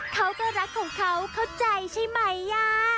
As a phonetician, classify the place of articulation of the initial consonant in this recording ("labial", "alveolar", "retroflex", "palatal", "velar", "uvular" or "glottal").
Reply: velar